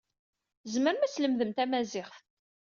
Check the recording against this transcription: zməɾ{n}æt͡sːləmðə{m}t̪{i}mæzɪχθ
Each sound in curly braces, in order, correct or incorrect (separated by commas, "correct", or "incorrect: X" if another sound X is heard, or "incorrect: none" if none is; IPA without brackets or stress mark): incorrect: m, correct, incorrect: æ